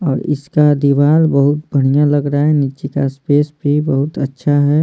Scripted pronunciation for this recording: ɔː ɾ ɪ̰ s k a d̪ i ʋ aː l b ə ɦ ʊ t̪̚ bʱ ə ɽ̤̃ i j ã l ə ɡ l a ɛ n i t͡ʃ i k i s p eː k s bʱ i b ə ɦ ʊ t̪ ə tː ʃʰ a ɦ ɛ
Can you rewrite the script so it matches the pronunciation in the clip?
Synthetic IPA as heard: ɔː ɾ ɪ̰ s k a d̪ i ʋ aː l b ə ɦ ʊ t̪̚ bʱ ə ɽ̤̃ i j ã l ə ɡ ɾ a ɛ n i t͡ʃ i k a s p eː s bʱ i b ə ɦ ʊ t̪ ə tː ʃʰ a ɦ ɛ